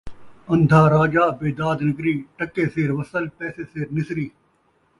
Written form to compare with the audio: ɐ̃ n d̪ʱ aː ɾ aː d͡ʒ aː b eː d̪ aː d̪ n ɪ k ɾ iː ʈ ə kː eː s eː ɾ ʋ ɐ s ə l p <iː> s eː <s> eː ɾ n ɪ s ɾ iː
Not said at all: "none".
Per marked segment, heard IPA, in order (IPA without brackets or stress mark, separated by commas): ɛː, s